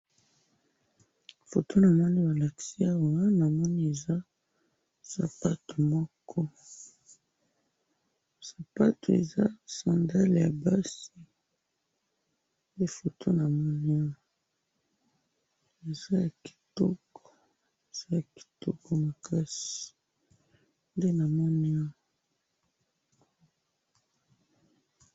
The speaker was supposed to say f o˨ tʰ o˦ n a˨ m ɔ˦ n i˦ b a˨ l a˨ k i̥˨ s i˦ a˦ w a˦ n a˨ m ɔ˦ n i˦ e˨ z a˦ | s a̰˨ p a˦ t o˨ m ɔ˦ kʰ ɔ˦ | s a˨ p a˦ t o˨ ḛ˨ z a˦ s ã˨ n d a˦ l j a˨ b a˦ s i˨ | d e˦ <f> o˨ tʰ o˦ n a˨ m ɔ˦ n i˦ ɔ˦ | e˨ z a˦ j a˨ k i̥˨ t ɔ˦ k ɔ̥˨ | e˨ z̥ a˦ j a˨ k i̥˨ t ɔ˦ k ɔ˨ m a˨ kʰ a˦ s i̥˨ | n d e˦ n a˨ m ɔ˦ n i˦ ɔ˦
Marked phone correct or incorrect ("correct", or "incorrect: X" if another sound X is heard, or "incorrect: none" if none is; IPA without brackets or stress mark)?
correct